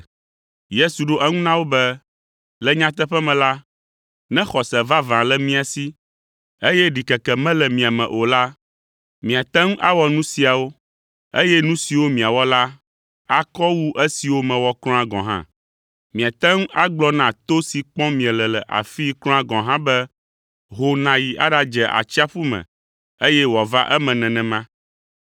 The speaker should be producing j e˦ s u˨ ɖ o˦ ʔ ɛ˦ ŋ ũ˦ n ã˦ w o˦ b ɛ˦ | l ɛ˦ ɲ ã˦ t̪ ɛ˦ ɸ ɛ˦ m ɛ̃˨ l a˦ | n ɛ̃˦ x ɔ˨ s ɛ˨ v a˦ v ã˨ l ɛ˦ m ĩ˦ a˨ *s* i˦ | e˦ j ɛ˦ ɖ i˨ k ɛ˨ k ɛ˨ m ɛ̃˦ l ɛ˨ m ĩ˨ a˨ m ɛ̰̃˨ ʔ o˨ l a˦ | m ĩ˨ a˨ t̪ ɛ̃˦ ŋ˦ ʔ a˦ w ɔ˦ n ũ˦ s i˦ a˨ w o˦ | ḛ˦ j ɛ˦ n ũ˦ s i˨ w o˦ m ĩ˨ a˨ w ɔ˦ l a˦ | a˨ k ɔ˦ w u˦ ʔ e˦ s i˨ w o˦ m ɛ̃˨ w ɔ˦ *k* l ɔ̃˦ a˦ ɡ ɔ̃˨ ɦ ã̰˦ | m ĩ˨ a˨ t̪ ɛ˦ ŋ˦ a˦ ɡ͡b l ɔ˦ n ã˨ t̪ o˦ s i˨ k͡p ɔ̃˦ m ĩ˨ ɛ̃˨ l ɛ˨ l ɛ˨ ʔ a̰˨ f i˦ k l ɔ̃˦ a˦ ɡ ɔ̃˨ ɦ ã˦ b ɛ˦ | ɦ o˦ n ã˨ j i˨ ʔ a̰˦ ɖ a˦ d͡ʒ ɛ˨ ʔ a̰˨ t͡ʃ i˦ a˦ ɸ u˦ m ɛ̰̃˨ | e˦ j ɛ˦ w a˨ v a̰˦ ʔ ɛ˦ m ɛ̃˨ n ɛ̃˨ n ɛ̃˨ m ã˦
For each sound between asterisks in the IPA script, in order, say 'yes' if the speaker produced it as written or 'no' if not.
yes, yes

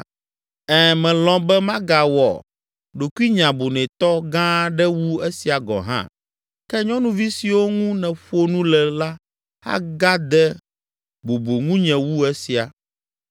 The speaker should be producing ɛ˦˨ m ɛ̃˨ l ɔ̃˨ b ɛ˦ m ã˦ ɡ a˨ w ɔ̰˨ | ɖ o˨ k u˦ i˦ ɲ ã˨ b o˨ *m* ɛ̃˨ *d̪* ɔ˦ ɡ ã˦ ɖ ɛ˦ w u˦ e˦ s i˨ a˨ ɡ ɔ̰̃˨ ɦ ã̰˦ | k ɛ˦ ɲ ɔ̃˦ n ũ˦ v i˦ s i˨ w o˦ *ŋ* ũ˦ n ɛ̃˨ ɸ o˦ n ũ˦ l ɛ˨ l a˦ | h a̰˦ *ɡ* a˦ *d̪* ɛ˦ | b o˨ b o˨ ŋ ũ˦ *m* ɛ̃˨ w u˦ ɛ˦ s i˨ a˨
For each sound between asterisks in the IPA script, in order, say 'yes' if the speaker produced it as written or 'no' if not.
no, no, yes, yes, yes, no

